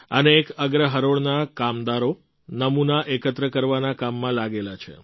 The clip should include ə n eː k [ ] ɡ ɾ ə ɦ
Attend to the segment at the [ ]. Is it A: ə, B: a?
A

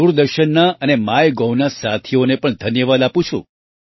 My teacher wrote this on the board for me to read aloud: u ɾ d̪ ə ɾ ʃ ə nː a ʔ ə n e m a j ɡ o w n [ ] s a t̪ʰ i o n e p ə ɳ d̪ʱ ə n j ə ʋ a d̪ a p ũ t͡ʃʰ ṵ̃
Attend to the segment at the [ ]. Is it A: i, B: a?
B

